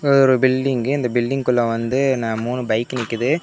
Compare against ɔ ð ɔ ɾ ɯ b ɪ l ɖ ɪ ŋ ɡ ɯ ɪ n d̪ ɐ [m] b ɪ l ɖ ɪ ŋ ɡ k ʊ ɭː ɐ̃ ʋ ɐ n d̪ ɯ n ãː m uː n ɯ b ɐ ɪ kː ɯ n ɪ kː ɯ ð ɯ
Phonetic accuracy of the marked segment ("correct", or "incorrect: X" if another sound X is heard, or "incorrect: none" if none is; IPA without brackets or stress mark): incorrect: none